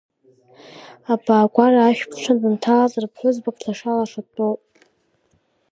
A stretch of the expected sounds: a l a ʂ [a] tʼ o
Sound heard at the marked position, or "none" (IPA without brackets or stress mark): a